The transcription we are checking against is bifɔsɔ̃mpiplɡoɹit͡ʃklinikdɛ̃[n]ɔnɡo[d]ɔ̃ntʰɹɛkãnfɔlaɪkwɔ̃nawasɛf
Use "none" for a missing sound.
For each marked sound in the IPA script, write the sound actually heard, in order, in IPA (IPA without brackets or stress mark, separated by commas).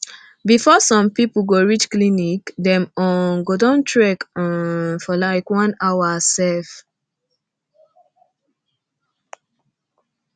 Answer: m, d